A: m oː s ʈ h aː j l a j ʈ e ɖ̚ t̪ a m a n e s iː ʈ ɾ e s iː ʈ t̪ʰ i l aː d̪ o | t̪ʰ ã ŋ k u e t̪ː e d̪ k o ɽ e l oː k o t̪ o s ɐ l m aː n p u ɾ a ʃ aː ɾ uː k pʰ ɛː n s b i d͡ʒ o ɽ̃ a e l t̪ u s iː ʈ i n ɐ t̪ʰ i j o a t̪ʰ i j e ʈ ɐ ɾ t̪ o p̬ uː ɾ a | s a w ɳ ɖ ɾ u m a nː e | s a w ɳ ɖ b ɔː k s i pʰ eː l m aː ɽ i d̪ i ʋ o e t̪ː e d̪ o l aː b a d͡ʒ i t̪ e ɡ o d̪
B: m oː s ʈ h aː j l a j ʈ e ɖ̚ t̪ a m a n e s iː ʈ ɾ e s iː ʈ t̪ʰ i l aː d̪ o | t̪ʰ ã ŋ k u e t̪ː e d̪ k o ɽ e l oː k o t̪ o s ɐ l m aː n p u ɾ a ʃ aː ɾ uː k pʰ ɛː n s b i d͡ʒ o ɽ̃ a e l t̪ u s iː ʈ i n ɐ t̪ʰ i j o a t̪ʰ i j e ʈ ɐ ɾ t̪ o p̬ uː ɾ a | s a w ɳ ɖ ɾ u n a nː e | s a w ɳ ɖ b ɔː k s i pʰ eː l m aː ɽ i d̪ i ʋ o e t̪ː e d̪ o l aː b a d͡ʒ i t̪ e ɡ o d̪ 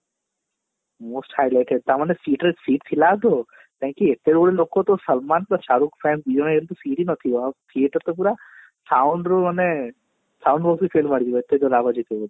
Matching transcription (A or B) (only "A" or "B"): A